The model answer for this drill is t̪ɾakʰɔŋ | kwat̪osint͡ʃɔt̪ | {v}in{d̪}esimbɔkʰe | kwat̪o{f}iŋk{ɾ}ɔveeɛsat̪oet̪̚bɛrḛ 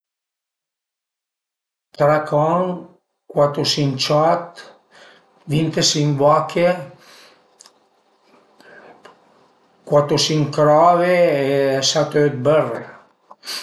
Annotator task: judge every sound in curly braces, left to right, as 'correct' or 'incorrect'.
correct, incorrect: t̪, incorrect: s, correct

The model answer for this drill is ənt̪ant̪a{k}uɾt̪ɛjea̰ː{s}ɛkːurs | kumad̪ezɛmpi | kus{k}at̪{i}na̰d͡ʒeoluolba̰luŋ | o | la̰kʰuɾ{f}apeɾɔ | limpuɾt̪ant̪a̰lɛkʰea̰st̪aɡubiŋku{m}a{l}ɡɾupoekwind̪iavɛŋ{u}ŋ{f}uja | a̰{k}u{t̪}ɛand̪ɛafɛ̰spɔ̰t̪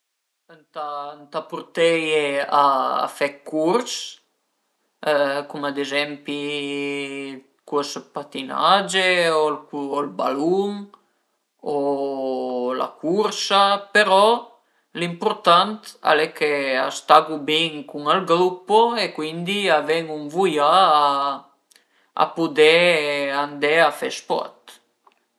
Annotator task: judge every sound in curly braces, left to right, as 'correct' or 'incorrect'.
incorrect: p, incorrect: f, incorrect: p, correct, incorrect: s, incorrect: ŋ, correct, correct, incorrect: v, incorrect: p, incorrect: d̪

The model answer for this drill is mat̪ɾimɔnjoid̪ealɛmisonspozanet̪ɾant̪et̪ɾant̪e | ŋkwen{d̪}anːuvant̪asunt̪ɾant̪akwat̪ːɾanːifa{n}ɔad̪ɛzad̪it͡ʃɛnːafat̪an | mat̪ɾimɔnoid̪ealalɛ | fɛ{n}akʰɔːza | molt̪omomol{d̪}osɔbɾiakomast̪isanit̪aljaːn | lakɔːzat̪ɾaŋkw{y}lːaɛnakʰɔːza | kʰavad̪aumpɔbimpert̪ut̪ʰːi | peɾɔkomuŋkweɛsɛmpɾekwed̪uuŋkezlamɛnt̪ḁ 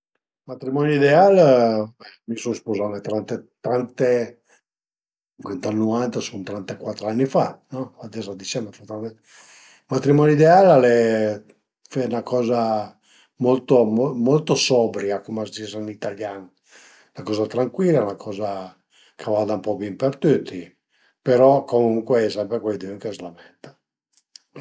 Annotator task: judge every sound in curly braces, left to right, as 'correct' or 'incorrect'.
incorrect: t̪, correct, correct, incorrect: t̪, incorrect: i

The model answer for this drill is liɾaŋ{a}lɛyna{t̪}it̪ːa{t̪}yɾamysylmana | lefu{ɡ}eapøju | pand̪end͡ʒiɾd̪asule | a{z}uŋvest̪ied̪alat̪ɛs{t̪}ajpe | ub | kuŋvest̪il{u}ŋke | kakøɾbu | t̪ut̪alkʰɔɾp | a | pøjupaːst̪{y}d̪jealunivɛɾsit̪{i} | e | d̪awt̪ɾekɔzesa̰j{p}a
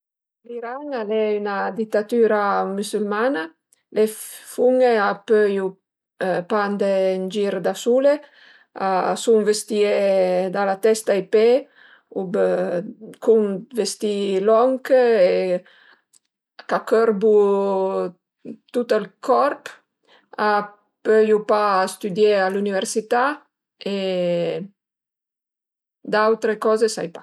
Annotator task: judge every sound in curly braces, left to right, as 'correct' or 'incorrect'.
correct, incorrect: d̪, correct, incorrect: ŋ, incorrect: s, correct, incorrect: ɔ, correct, incorrect: a, correct

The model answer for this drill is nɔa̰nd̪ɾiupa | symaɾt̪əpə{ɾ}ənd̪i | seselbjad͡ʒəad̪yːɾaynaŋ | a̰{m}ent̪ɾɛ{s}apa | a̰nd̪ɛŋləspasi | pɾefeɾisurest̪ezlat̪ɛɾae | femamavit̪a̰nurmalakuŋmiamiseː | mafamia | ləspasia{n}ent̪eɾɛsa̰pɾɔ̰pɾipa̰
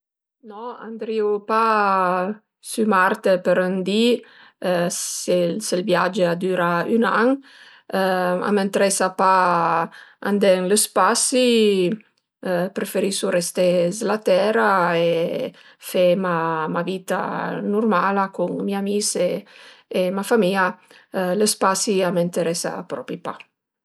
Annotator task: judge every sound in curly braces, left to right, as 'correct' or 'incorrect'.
correct, correct, correct, incorrect: m

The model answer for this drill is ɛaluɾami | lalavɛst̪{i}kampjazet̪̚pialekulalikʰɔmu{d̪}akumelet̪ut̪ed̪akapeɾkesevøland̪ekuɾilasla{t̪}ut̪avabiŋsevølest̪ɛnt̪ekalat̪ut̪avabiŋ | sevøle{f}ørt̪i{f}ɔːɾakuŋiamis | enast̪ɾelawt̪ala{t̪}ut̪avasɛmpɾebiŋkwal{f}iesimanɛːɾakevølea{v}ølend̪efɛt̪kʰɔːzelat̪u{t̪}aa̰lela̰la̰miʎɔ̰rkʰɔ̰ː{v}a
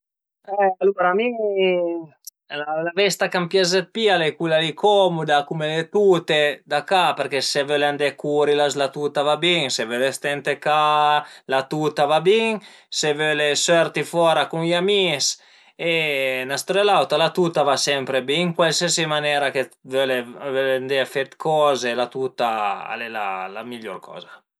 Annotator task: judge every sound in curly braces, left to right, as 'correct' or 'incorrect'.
incorrect: a, correct, correct, incorrect: s, correct, correct, incorrect: s, correct, correct, incorrect: z

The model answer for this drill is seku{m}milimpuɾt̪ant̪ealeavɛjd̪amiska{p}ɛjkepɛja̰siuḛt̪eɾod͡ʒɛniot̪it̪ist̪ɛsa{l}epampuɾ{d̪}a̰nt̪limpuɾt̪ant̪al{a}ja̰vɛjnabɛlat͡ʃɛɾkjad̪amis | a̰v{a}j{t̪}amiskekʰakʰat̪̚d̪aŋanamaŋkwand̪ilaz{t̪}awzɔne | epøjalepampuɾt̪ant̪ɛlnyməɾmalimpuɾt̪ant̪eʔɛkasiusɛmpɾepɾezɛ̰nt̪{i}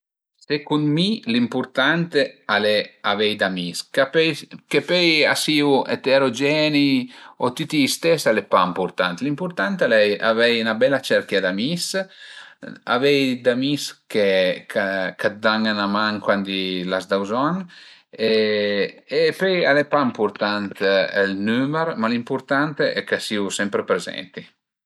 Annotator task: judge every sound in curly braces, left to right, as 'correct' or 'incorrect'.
incorrect: n, correct, correct, incorrect: t̪, incorrect: ɛ, incorrect: ɛ, incorrect: d̪, incorrect: d̪, correct

